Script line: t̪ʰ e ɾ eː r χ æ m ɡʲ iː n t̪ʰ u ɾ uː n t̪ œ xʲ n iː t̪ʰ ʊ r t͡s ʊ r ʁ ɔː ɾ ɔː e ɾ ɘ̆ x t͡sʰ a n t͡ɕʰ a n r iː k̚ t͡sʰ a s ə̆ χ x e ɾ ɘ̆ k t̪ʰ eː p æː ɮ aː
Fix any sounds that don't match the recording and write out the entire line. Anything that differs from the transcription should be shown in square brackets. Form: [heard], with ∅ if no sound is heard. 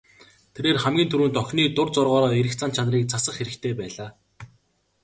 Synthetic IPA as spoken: t̪ʰ e ɾ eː r χ æ m ɡʲ iː n t̪ʰ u ɾ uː n t̪ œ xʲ n iː [t̪] ʊ r t͡s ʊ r ʁ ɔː ɾ ɔː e ɾ ɘ̆ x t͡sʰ a n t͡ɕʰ a n r iː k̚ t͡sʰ a s ə̆ χ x e ɾ ɘ̆ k t̪ʰ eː p æː ɮ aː